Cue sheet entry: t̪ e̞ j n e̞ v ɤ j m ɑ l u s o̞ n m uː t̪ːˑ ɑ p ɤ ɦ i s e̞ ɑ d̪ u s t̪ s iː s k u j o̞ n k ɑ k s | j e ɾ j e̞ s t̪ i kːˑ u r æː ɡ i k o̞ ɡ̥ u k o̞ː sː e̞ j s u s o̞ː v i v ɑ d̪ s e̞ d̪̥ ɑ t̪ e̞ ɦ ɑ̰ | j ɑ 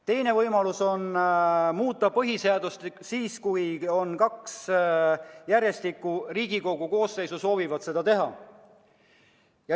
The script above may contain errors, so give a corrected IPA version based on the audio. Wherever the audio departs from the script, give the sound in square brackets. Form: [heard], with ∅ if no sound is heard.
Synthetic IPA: t̪ e̞ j n e̞ v ɤ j m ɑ l u s o̞ n m uː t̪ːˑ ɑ p ɤ ɦ i s e̞ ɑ d̪ u s t̪ s iː s k u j o̞ n k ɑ k s | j [æ] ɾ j e̞ s t̪ i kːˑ u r [iː] ɡ i k o̞ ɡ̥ u k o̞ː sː e̞ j s u s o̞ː v i v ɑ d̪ s e̞ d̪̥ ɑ t̪ e̞ ɦ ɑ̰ | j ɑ